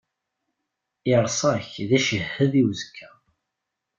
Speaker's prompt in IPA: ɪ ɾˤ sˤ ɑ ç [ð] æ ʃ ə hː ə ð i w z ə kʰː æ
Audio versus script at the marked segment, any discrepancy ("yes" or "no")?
no